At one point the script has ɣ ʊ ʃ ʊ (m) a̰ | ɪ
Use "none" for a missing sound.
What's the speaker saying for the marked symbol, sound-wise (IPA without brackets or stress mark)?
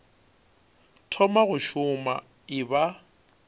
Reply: m